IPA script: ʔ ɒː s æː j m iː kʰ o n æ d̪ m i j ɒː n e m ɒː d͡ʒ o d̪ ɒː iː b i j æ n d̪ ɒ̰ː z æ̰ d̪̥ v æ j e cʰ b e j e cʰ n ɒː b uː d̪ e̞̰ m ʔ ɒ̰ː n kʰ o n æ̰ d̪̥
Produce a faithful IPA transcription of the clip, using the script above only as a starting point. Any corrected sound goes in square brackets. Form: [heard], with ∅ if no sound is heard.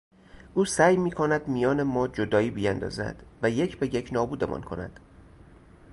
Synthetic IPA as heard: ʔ [uː] s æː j m iː kʰ o n æ d̪ m i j ɒː n e m ɒː d͡ʒ o d̪ ɒː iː b i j æ n d̪ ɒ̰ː z æ̰ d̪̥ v æ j e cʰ b e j e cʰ n ɒː b uː d̪ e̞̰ m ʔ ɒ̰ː n kʰ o n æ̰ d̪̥